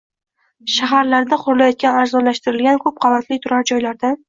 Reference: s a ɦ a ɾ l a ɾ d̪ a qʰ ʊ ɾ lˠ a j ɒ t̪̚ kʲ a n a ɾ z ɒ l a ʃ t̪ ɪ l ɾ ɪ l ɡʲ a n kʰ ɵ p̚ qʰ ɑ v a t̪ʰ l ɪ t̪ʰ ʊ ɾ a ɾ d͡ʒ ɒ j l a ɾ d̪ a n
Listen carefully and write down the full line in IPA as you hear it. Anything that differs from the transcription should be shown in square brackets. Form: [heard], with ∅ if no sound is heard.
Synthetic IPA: [ʃ] a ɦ a ɾ l a ɾ d̪ a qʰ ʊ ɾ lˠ a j ɒ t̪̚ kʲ a n a ɾ z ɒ l a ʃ t̪ ɪ [∅] ɾ ɪ l ɡʲ a n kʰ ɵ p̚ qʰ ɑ v a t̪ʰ l ɪ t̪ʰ ʊ ɾ a ɾ d͡ʒ ɒ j l a ɾ d̪ a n